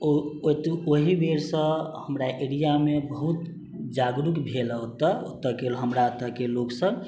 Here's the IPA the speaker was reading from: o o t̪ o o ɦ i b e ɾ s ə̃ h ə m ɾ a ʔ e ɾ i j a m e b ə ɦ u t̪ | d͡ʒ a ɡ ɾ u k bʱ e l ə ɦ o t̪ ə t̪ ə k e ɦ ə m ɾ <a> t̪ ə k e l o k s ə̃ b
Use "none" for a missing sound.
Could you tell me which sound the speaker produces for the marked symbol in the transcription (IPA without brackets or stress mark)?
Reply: a